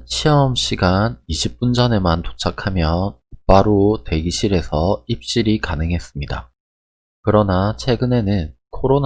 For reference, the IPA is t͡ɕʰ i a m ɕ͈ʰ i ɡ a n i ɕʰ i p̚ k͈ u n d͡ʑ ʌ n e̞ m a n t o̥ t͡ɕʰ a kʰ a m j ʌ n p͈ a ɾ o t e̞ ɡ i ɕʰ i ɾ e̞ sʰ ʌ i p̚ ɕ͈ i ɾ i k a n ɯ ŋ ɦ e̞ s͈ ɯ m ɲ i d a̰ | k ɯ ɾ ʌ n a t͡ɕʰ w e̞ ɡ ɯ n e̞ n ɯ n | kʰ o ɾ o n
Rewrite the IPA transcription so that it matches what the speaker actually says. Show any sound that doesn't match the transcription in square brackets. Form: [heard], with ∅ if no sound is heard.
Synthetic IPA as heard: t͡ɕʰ i [ʌ] m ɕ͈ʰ i ɡ a n i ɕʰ i p̚ [p͈] u n d͡ʑ ʌ n e̞ m a n t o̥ t͡ɕʰ a kʰ a m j ʌ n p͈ a ɾ o t e̞ ɡ i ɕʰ i ɾ e̞ sʰ ʌ i p̚ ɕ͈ i ɾ i k a n ɯ ŋ ɦ e̞ s͈ ɯ m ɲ i d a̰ | k ɯ ɾ ʌ n a t͡ɕʰ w e̞ ɡ ɯ n e̞ n ɯ n | kʰ o ɾ o n